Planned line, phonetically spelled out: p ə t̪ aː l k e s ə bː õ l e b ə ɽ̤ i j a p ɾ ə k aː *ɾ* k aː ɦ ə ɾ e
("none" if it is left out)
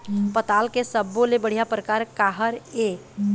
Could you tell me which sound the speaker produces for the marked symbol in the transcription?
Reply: ɾ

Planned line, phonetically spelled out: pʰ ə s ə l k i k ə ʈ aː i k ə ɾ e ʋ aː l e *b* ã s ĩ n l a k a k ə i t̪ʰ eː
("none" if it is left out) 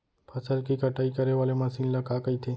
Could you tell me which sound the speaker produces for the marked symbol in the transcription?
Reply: m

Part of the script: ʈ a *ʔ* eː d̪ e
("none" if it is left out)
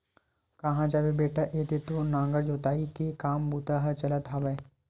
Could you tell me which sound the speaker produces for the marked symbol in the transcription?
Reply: ʔ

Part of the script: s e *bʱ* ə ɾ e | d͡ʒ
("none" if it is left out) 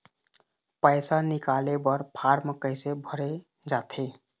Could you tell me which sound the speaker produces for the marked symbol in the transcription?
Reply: bʱ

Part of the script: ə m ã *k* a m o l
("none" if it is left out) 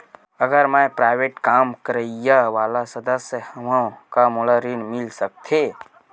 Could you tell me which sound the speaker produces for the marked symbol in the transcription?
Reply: k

